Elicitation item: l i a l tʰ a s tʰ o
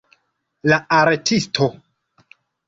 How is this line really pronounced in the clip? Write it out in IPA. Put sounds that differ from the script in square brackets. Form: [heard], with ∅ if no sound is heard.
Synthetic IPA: l [a] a [ɾ] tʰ [i] s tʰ o